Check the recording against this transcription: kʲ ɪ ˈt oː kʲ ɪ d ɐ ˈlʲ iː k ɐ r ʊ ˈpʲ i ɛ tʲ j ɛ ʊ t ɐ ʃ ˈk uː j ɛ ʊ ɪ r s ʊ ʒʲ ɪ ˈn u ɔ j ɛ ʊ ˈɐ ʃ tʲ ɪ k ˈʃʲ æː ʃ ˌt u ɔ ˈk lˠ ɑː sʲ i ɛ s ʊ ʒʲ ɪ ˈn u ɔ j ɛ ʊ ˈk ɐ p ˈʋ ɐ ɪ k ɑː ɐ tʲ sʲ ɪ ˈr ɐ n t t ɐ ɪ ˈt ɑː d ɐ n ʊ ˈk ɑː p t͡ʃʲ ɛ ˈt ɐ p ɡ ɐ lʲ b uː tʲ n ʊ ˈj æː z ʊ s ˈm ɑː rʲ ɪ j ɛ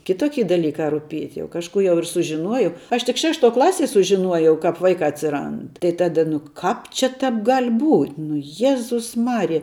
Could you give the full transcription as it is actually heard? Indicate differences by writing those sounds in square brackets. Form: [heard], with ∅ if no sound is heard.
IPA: kʲ ɪ ˈt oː kʲ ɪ d ɐ ˈlʲ iː k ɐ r ʊ ˈpʲ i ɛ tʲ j ɛ ʊ [k] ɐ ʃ ˈk uː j ɛ ʊ ɪ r s ʊ ʒʲ ɪ ˈn u ɔ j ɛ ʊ ˈɐ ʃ tʲ ɪ k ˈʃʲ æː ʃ ˌt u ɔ ˈk lˠ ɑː sʲ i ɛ s ʊ ʒʲ ɪ ˈn u ɔ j ɛ ʊ ˈk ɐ p ˈʋ ɐ ɪ k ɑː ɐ tʲ sʲ ɪ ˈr ɐ n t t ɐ ɪ ˈt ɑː d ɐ n ʊ ˈk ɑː p t͡ʃʲ ɛ ˈt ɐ p ɡ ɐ lʲ b uː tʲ n ʊ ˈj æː z ʊ s ˈm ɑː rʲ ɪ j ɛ

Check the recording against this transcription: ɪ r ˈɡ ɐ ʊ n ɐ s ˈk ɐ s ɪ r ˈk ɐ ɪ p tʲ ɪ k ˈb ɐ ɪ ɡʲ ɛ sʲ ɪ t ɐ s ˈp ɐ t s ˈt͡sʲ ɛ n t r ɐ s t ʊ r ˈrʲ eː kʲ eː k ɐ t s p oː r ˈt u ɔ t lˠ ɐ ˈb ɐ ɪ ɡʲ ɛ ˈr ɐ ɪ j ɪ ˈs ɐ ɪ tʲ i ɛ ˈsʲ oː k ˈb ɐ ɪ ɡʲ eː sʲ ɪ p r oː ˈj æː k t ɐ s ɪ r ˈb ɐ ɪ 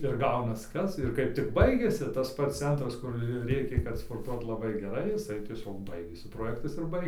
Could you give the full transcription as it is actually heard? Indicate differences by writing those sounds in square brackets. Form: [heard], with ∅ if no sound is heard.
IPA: ɪ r ˈɡ ɐ ʊ n ɐ s ˈk ɐ s ɪ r ˈk ɐ ɪ p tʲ ɪ k ˈb ɐ ɪ ɡʲ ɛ sʲ ɪ t ɐ s ˈp ɐ t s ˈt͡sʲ ɛ n t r ɐ s [k] ʊ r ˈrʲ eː kʲ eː k ɐ t s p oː r ˈt u ɔ t lˠ ɐ ˈb ɐ ɪ ɡʲ ɛ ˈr ɐ ɪ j ɪ ˈs ɐ ɪ tʲ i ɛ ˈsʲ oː k ˈb ɐ ɪ ɡʲ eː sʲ ɪ p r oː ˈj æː k t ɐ s ɪ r ˈb ɐ ɪ

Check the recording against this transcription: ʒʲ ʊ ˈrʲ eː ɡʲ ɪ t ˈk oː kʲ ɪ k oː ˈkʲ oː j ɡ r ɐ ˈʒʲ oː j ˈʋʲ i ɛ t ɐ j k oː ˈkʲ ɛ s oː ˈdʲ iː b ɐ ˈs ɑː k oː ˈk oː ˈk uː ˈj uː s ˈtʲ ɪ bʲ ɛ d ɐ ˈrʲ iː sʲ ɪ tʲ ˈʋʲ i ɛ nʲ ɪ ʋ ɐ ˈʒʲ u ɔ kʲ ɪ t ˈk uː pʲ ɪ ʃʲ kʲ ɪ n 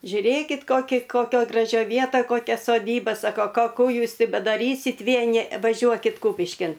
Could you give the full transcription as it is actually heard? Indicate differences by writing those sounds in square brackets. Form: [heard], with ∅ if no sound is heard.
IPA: ʒʲ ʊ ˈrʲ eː [kʲ] ɪ t ˈk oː kʲ ɪ k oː ˈkʲ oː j ɡ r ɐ ˈʒʲ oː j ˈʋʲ i ɛ t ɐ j k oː ˈkʲ ɛ s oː ˈdʲ iː b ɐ ˈs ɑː k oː ˈk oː ˈk uː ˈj uː s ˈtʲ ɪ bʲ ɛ d ɐ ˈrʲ iː sʲ ɪ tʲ ˈʋʲ i ɛ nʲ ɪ ʋ ɐ ˈʒʲ u ɔ kʲ ɪ t ˈk uː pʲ ɪ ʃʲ kʲ ɪ n

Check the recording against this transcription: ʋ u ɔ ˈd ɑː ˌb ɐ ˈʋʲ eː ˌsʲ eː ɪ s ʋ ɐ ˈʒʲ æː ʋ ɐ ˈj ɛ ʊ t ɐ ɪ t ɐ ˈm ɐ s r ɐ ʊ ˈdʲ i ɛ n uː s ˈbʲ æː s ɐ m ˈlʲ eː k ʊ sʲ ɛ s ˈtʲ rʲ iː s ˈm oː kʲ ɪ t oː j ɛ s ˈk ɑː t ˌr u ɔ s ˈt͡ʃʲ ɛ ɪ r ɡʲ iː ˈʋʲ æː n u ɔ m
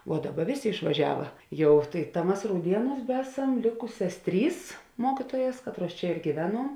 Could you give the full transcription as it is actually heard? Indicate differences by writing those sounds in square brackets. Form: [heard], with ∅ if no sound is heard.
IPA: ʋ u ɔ ˈd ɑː ˌb ɐ ˈʋʲ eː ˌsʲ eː ɪ [ʃ] ʋ ɐ ˈʒʲ æː ʋ ɐ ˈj ɛ ʊ t ɐ ɪ t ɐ ˈm ɐ s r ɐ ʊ ˈdʲ i ɛ n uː s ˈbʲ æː s ɐ m ˈlʲ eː k ʊ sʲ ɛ s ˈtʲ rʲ iː s ˈm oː kʲ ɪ t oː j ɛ s ˈk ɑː t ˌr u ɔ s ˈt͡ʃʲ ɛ ɪ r ɡʲ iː ˈʋʲ æː n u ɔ m

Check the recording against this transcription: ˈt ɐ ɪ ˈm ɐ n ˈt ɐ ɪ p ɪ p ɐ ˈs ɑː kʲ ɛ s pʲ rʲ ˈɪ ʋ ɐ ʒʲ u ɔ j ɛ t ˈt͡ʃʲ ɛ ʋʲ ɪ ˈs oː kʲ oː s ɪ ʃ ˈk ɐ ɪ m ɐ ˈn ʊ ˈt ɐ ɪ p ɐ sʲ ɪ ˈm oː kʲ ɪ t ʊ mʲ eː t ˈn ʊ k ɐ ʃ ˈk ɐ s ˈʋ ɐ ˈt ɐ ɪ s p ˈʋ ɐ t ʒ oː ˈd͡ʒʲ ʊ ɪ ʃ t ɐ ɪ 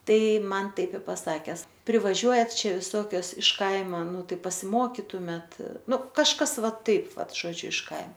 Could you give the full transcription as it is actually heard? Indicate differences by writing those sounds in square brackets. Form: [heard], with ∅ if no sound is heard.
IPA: ˈt ɐ ɪ ˈm ɐ n ˈt ɐ ɪ p ɪ p ɐ ˈs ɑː kʲ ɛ s pʲ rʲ ˈɪ ʋ ɐ ʒʲ u ɔ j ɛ t ˈt͡ʃʲ ɛ ʋʲ ɪ ˈs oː kʲ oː s ɪ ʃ ˈk ɐ ɪ m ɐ ˈn ʊ ˈt ɐ ɪ p ɐ sʲ ɪ ˈm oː kʲ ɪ t ʊ mʲ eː t ˈn ʊ k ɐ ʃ ˈk ɐ s ˈʋ ɐ ˈt ɐ ɪ [∅] p ˈʋ ɐ t ʒ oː ˈd͡ʒʲ ʊ ɪ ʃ [k] ɐ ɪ

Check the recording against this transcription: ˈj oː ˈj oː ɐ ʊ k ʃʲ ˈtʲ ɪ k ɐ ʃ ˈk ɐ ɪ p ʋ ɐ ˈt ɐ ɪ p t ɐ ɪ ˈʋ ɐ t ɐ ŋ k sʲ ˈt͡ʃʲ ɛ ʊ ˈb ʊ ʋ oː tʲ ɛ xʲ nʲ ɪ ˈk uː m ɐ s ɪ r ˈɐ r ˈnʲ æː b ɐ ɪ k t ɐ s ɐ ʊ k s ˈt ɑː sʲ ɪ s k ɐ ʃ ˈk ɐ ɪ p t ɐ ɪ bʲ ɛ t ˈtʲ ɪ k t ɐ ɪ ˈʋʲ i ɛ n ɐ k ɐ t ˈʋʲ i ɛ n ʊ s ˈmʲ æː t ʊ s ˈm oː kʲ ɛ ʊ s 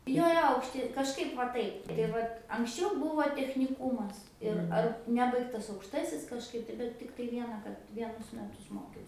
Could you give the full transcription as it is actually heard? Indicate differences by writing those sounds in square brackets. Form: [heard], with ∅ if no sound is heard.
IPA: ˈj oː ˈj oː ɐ ʊ k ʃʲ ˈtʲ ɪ k ɐ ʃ ˈk ɐ ɪ p ʋ ɐ ˈt ɐ ɪ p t ɐ ɪ ˈʋ ɐ t ɐ ŋ k sʲ ˈt͡ʃʲ ɛ ʊ ˈb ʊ ʋ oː tʲ ɛ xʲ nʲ ɪ ˈk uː m ɐ s ɪ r ˈɐ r ˈnʲ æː b ɐ ɪ k t ɐ s ɐ ʊ k [ʃ] ˈt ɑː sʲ ɪ s k ɐ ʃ ˈk ɐ ɪ p t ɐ ɪ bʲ ɛ t ˈtʲ ɪ k t ɐ ɪ ˈʋʲ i ɛ n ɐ k ɐ t ˈʋʲ i ɛ n ʊ s ˈmʲ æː t ʊ s ˈm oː kʲ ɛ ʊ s

